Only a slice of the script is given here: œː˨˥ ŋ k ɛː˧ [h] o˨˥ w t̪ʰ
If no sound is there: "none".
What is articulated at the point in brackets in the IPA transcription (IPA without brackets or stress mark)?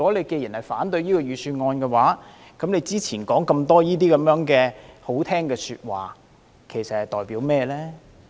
h